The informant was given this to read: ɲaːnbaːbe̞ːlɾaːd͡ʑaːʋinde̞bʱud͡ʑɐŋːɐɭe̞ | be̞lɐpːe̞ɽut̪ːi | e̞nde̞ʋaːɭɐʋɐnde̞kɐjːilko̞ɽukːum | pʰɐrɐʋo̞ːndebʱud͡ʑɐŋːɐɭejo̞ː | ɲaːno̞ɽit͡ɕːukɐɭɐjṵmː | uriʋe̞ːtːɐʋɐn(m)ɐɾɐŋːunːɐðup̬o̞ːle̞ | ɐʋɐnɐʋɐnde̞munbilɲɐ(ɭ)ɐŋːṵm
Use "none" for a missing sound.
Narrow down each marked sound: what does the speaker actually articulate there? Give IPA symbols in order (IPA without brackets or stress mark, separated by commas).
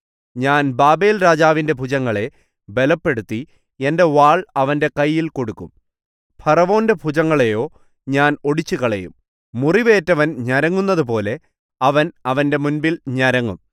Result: ɲ, ɾ